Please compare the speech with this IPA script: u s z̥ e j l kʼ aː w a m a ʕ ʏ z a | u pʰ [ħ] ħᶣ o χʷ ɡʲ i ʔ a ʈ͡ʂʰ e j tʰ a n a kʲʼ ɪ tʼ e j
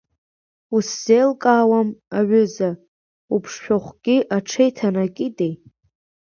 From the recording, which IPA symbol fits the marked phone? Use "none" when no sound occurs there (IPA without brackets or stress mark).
ʂ